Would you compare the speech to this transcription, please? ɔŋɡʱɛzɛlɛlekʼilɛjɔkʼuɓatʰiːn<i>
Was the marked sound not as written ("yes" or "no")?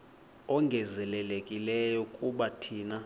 yes